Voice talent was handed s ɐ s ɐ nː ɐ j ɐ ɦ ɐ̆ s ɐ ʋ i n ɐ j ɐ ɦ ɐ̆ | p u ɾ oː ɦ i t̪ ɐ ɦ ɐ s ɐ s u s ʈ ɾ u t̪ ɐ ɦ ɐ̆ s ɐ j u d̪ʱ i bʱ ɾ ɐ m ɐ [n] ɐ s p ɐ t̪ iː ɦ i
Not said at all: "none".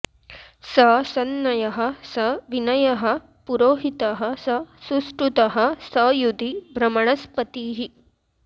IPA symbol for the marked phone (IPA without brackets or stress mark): ɳ